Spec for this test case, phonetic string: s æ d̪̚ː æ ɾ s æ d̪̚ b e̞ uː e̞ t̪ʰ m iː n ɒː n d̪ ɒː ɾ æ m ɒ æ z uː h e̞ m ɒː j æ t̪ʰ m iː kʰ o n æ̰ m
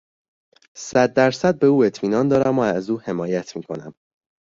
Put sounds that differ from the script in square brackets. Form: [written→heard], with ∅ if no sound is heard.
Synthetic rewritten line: s æ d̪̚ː æ ɾ s æ d̪̚ b e̞ uː e̞ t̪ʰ m iː n ɒː n d̪ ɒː ɾ æ m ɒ æ z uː h e̞ m ɒː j æ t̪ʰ m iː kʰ o n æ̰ m